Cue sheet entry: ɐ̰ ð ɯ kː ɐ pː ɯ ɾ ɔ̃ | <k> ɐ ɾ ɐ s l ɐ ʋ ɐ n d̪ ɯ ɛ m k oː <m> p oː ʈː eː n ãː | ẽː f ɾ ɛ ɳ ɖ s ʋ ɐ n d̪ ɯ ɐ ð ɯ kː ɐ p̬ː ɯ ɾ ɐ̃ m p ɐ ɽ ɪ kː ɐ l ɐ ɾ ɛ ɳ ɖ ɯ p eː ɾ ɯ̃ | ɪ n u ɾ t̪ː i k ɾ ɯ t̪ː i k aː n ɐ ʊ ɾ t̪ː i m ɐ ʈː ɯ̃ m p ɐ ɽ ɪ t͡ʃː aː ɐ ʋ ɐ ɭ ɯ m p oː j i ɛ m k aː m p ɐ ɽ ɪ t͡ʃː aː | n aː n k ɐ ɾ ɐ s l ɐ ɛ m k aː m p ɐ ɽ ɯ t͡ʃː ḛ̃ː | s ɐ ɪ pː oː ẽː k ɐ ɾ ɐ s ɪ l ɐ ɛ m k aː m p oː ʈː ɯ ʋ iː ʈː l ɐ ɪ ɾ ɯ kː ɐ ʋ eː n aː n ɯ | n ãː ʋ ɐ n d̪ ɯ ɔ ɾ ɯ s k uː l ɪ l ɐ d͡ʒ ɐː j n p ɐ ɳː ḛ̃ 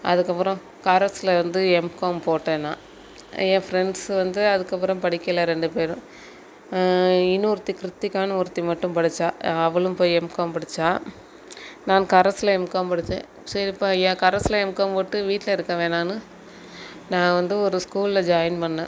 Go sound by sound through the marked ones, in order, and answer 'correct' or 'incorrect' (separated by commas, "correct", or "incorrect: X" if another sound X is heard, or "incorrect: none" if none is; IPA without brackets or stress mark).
correct, correct